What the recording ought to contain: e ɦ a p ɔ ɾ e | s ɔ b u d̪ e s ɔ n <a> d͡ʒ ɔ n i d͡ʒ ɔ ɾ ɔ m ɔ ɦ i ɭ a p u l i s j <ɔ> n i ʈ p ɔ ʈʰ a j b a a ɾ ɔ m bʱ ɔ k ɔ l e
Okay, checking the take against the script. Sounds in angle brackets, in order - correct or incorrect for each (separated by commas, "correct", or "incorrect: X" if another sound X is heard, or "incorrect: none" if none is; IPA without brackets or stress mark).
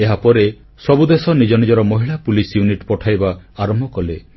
incorrect: i, incorrect: u